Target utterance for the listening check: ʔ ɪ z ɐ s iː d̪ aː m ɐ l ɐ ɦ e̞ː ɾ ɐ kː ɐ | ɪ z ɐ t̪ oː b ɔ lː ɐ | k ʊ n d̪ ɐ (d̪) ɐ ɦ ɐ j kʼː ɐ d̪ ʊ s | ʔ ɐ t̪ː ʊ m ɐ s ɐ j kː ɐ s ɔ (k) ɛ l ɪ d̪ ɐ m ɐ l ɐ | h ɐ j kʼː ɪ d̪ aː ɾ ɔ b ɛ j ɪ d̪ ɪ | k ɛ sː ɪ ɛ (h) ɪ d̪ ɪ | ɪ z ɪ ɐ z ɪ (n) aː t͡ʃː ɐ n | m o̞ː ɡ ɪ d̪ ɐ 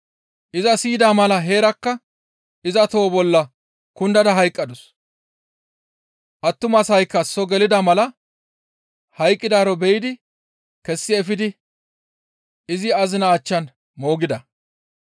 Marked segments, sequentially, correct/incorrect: correct, incorrect: ɡ, incorrect: f, correct

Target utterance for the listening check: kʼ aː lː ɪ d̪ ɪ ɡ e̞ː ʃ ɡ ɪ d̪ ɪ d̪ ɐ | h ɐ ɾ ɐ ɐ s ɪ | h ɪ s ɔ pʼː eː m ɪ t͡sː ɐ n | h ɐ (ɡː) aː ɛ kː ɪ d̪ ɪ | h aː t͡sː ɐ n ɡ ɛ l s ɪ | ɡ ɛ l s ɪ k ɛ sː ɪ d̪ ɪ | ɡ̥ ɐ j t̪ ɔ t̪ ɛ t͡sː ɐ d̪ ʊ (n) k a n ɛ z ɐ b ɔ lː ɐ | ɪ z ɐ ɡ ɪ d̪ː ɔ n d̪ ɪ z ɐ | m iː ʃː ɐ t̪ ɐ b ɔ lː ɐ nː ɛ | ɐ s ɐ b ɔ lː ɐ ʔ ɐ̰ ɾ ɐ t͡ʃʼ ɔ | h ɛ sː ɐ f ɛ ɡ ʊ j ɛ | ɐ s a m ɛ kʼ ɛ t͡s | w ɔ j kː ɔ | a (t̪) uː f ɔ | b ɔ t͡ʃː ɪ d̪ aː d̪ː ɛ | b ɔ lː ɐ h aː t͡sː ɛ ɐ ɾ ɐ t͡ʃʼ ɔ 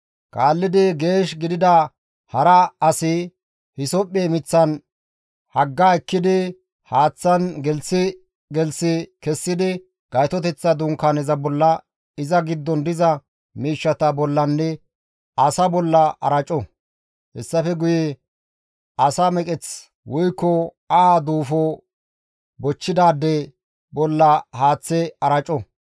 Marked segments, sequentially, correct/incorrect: correct, incorrect: ŋ, incorrect: d̪

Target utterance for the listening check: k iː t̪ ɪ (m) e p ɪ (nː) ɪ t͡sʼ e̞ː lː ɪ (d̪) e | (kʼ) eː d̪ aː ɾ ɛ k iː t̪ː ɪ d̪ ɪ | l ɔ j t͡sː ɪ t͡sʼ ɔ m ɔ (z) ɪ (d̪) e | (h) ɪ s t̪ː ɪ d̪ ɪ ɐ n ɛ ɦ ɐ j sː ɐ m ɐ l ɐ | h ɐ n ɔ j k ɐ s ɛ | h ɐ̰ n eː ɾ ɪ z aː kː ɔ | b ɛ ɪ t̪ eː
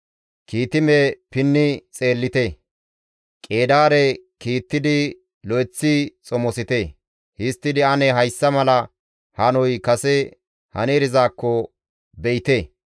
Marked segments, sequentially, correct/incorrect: correct, correct, incorrect: t̪, correct, incorrect: s, incorrect: t̪, correct

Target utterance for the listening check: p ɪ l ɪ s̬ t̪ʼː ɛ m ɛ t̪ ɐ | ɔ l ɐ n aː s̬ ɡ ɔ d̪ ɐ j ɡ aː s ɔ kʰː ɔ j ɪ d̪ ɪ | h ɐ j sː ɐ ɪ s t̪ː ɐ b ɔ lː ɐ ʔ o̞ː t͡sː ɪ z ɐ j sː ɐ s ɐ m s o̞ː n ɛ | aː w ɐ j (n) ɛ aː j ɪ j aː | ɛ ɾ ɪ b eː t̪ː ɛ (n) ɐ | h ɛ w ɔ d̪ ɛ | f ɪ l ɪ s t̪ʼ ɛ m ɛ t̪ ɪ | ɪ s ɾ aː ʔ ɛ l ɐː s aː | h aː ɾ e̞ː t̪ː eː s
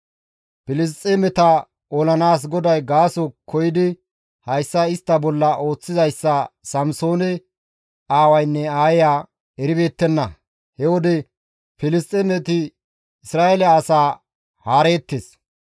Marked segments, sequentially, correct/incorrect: incorrect: nː, incorrect: nː

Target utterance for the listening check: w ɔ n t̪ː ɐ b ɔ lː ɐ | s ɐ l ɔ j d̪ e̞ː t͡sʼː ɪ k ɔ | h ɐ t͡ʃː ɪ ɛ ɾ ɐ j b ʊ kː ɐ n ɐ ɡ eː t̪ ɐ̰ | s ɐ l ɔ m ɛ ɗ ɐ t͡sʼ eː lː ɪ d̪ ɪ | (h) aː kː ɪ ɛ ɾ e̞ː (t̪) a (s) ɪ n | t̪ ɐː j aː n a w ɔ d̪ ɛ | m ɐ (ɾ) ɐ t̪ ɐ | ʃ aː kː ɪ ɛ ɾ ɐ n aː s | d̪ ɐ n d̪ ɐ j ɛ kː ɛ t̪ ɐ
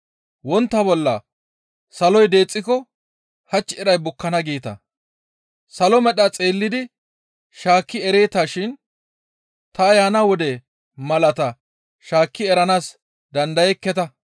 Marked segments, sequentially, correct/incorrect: incorrect: ʃ, correct, incorrect: ʃ, incorrect: l

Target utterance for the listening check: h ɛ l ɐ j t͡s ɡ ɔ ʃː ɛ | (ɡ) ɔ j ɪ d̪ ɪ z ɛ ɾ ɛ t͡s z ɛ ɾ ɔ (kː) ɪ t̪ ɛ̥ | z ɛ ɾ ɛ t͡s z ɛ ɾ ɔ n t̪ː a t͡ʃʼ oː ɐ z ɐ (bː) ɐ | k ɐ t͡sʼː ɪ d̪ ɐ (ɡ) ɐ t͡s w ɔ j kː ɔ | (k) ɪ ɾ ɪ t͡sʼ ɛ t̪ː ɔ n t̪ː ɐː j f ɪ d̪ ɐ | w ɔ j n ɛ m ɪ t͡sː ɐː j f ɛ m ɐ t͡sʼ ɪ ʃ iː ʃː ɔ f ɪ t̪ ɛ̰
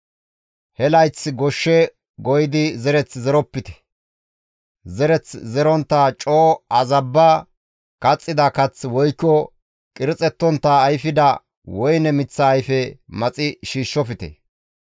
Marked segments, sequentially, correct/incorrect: correct, incorrect: pː, correct, incorrect: k, incorrect: kʼ

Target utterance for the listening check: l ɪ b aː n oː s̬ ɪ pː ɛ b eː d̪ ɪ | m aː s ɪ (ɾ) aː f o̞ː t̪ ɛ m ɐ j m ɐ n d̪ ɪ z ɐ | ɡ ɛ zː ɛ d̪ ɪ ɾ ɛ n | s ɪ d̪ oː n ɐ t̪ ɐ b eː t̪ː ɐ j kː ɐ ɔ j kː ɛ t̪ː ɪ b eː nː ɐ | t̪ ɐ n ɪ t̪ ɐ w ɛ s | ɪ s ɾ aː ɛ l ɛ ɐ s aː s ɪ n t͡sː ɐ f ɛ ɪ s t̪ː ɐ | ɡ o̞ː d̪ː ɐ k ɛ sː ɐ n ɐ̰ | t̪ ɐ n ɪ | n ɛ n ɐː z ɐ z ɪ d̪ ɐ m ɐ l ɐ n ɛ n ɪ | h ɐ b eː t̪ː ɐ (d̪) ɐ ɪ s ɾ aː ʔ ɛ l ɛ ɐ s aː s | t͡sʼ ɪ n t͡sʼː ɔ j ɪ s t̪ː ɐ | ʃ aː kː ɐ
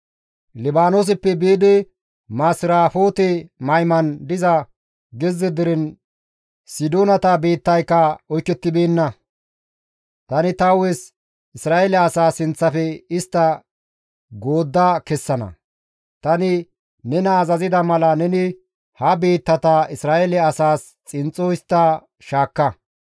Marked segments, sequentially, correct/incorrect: correct, incorrect: t̪

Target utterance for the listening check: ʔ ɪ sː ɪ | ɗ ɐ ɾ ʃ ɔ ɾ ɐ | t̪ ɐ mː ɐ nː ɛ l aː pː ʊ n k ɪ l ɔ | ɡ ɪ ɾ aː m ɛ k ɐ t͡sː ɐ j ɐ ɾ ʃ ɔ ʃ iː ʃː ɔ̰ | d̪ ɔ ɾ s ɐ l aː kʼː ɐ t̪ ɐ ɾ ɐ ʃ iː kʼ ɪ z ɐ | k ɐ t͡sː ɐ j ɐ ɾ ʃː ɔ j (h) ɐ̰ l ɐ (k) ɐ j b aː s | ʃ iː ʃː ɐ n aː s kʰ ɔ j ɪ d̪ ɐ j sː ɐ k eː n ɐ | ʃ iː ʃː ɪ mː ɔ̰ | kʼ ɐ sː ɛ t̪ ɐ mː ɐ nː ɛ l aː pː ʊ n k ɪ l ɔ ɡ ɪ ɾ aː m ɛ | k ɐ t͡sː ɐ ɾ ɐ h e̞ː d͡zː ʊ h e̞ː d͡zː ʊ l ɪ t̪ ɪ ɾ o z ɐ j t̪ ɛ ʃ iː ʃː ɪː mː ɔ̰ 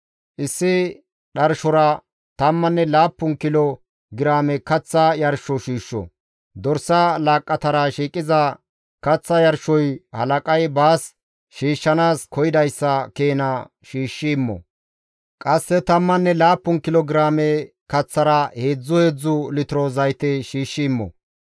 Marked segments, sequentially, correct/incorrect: correct, incorrect: kʼ

